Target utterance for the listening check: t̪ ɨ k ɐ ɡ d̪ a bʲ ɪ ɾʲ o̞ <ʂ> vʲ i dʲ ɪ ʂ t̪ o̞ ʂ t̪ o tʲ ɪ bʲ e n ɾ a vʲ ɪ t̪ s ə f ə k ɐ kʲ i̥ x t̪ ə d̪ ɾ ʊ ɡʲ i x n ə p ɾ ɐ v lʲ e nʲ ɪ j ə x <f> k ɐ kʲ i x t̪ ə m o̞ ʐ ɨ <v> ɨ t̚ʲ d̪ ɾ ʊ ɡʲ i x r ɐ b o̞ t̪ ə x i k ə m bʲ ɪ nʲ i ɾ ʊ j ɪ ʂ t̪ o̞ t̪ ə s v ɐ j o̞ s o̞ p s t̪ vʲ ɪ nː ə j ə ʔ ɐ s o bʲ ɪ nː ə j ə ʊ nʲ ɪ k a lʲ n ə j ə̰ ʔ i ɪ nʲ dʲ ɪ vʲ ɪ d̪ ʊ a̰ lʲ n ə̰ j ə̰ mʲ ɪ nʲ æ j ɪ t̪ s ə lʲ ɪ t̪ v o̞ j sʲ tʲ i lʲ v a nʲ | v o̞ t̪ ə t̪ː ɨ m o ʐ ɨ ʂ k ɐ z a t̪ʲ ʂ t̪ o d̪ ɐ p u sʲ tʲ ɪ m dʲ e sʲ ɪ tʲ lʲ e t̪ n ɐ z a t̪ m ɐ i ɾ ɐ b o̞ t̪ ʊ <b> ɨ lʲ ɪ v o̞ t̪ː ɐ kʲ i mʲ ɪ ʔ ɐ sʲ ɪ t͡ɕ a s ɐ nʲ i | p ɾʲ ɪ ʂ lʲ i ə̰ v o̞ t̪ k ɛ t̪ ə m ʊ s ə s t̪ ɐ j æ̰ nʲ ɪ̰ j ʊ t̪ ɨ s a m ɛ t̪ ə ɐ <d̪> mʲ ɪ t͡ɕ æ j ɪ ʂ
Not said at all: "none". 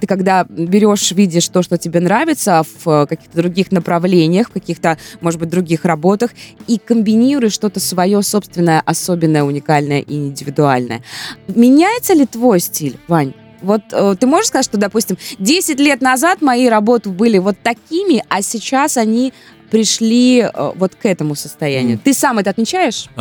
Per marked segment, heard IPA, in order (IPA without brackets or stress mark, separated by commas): ʂ, f, b, b, t̪